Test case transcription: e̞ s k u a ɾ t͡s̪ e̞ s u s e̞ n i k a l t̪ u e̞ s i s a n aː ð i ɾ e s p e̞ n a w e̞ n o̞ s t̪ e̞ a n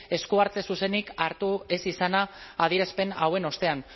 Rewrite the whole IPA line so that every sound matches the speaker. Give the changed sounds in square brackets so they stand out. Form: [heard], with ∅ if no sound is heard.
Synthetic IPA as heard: e̞ s k u a ɾ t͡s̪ e̞ s u s e̞ n i k a [ɾ] t̪ u e̞ s i s a n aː ð i ɾ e s p e̞ n a w e̞ n o̞ s t̪ e̞ a n